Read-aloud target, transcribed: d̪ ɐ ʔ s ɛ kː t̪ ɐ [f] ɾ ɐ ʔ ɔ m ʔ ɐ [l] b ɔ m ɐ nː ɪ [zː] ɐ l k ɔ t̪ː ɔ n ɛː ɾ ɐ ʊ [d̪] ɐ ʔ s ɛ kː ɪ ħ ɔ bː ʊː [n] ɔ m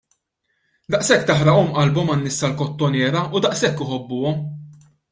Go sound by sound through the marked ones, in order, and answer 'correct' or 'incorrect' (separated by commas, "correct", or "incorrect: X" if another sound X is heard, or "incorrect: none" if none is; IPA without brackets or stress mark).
incorrect: ħ, correct, incorrect: sː, correct, incorrect: none